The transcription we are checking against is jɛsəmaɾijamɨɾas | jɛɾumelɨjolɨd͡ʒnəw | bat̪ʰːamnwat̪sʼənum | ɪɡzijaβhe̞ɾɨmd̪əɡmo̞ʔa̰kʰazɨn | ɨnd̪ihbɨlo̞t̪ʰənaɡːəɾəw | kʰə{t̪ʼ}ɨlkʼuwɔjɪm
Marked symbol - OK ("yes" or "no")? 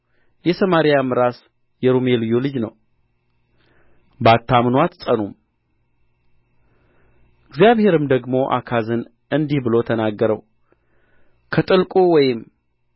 yes